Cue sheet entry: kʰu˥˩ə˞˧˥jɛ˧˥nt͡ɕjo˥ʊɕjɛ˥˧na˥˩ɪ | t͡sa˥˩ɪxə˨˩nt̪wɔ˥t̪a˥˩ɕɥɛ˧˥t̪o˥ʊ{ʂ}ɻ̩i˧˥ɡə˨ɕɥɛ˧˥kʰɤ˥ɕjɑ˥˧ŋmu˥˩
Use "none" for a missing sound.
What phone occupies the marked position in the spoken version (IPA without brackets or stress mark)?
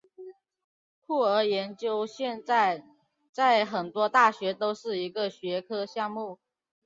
ʂ